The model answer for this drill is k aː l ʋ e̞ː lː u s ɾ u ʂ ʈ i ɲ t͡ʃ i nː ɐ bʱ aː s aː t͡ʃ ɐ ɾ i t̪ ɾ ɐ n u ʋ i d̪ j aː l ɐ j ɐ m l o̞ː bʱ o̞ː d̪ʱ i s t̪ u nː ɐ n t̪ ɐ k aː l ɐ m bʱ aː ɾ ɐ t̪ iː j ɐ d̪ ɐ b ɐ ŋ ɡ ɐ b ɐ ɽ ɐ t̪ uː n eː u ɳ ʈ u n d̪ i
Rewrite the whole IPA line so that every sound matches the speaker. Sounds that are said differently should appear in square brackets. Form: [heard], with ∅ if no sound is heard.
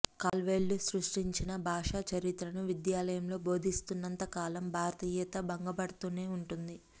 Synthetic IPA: k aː l ʋ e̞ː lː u s ɾ u ʂ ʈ i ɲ t͡ʃ i [n] ɐ bʱ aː [ʂ] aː t͡ʃ ɐ ɾ i t̪ ɾ ɐ n u ʋ i d̪ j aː l ɐ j ɐ m l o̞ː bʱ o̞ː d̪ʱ i s t̪ u nː ɐ n t̪ ɐ k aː l ɐ m bʱ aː ɾ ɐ t̪ iː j ɐ [t̪] ɐ b ɐ ŋ ɡ ɐ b ɐ ɽ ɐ t̪ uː n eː u ɳ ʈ u n d̪ i